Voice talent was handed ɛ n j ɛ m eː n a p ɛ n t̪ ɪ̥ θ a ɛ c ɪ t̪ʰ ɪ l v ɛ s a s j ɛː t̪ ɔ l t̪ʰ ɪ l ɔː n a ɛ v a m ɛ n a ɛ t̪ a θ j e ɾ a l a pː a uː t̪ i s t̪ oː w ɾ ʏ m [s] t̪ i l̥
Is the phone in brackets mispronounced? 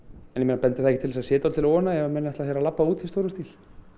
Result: no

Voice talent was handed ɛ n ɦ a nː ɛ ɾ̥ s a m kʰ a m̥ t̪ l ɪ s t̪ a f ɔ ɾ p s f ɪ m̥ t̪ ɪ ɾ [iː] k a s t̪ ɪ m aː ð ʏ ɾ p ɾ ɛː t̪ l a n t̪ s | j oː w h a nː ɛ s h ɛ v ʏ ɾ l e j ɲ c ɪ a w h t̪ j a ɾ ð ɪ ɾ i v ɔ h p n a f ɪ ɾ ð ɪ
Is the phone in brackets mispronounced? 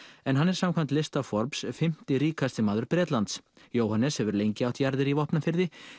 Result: no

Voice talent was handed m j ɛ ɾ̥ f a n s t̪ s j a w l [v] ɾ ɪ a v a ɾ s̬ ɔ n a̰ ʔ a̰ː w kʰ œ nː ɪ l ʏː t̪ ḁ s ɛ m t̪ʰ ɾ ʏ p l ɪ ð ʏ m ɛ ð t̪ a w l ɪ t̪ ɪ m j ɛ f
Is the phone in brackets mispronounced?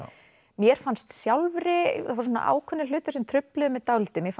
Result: no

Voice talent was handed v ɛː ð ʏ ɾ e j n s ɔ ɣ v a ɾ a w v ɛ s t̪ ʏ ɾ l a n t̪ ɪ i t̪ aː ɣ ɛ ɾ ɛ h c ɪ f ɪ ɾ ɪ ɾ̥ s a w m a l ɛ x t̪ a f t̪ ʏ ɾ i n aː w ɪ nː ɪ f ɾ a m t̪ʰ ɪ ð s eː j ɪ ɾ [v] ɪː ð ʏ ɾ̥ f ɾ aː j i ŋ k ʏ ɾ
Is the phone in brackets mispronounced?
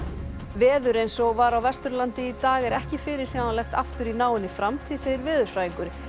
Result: no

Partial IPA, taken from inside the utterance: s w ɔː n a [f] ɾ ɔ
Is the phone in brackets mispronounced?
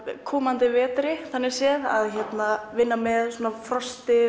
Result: no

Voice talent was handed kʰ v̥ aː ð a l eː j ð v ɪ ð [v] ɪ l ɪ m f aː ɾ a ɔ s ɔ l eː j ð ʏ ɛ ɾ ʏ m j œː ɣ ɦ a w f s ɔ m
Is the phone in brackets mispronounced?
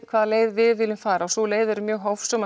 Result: no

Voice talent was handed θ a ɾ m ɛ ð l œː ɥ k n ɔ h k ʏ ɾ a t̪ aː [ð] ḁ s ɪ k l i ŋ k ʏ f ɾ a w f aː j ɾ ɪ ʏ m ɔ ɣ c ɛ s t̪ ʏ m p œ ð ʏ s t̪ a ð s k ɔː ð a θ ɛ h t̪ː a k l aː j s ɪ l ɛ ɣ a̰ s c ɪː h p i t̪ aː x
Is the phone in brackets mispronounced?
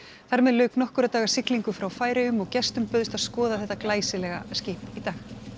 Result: yes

